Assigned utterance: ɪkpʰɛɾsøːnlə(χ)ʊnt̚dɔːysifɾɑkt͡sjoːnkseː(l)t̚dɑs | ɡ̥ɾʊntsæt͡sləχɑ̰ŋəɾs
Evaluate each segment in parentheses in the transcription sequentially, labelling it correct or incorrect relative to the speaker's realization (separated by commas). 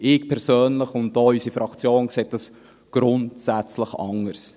correct, incorrect